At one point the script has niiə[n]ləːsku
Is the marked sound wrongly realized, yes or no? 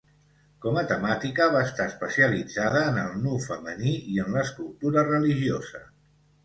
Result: no